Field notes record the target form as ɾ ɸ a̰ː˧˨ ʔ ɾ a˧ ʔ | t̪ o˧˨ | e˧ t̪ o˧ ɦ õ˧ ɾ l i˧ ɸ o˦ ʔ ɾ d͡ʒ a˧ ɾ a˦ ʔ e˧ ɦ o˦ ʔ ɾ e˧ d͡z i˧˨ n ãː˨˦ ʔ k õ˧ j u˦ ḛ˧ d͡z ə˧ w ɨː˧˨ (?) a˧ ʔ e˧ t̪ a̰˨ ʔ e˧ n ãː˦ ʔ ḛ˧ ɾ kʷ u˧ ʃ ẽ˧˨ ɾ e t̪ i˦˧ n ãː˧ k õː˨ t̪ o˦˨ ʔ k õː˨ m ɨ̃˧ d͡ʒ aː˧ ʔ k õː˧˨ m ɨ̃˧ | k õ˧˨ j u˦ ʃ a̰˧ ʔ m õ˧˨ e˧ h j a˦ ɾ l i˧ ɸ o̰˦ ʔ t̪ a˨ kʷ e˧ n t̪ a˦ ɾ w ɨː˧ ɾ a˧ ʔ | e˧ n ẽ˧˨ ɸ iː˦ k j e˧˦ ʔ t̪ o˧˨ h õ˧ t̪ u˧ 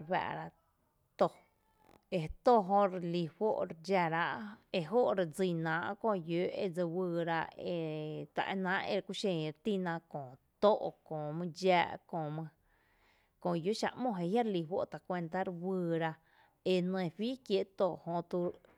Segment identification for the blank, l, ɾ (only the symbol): ɾ